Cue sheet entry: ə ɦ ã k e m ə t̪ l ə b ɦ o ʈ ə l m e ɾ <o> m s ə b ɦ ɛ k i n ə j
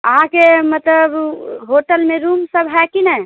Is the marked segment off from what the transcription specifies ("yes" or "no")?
yes